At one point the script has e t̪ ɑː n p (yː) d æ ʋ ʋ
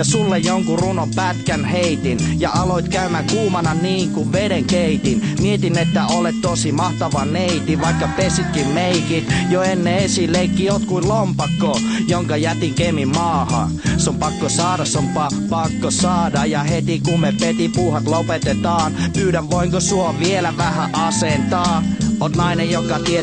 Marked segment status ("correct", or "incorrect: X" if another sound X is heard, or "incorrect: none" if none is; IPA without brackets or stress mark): correct